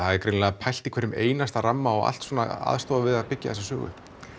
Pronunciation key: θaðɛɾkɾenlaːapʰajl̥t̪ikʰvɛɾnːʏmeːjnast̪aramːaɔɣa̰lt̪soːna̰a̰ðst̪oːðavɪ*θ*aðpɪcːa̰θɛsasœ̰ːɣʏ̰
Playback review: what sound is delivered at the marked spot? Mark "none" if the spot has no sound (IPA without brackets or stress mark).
ð